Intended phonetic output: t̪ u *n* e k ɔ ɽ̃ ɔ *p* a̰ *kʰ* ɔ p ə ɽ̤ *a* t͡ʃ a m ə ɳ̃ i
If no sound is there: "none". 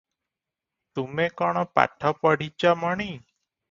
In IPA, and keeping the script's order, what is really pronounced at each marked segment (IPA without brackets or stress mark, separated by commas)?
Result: m, p, ʈʰ, i